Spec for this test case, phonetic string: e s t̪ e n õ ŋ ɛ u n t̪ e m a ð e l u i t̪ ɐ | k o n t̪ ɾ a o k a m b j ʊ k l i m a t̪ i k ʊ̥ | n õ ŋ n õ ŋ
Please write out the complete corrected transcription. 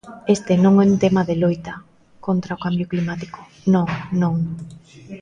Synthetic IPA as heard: e s t̪ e n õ ŋ ɛ u n t̪ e m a ð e l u j t̪ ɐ | k o n t̪ ɾ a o k a m b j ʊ k l i m a t̪ i k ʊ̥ | n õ ŋ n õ ŋ